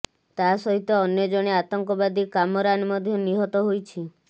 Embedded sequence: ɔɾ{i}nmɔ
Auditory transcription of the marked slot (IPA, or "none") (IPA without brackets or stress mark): a